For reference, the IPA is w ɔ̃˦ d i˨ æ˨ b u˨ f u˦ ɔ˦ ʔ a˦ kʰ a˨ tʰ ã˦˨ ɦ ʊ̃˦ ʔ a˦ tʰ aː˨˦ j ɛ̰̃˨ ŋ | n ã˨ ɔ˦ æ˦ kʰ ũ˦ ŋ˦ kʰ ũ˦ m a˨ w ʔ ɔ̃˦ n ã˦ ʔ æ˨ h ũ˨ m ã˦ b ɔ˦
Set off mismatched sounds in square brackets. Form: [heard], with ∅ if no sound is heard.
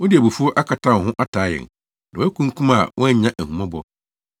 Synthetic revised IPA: w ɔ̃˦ d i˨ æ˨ b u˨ f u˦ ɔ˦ ʔ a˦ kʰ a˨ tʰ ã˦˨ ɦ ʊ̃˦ ʔ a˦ tʰ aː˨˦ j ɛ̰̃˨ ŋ | n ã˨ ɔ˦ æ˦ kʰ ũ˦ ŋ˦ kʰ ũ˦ m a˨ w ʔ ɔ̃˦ [ɲ] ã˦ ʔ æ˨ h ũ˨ m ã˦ b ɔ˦

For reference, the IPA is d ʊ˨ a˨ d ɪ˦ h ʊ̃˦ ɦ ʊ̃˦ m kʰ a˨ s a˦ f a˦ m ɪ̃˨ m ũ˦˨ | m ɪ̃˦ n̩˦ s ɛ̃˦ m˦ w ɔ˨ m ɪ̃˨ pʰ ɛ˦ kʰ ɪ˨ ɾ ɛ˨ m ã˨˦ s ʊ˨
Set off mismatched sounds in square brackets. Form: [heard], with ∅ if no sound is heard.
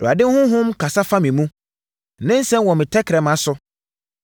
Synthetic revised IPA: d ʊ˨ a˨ d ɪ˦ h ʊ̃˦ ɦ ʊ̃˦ m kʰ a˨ s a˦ f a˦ m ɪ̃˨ m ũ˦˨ | [n] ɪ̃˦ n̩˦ s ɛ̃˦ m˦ w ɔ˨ m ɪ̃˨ [tʰ] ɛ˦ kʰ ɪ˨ ɾ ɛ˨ m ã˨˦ s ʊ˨

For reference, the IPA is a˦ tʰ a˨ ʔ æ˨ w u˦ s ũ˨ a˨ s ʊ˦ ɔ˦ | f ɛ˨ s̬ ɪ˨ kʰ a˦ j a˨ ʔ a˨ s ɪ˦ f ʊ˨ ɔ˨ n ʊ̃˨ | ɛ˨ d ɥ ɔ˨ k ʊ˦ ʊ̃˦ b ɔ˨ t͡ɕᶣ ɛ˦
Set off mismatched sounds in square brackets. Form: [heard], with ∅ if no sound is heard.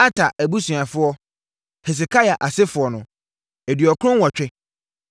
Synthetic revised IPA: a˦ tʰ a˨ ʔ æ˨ [b] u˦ s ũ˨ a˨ [f] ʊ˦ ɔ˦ | [h] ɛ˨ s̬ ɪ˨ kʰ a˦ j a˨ ʔ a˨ s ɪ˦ f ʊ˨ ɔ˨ n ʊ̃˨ | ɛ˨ d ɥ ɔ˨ k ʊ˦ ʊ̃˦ [w] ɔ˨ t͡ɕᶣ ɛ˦

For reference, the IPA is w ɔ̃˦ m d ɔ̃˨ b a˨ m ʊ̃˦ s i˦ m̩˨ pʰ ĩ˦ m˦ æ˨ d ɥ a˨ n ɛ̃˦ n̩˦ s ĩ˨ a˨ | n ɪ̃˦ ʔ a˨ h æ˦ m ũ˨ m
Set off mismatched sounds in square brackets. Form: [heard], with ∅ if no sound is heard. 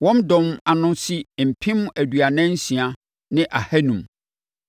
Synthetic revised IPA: w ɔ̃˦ m d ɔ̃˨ [m] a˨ [n] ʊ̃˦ s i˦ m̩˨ pʰ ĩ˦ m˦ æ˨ d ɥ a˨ n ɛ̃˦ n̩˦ s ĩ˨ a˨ | n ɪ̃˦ ʔ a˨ h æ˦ [n] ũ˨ m

